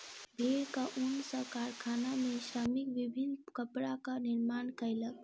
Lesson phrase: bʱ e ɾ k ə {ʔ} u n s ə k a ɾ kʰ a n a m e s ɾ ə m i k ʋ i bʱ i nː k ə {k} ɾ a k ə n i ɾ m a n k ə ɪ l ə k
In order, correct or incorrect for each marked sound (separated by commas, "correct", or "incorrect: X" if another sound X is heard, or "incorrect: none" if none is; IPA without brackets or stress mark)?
correct, incorrect: p